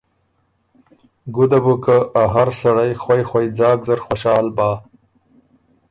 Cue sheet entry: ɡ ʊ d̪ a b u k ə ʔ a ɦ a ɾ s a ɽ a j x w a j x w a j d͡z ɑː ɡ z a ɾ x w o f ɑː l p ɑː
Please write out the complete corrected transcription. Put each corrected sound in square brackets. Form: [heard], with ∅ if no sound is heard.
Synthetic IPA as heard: ɡ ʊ d̪ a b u k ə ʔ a ɦ a ɾ s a ɽ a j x w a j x w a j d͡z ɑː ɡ z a ɾ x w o [ʃ] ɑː l [b] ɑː